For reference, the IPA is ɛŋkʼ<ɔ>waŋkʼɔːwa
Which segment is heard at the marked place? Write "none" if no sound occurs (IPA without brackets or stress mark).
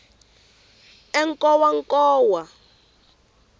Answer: ɔ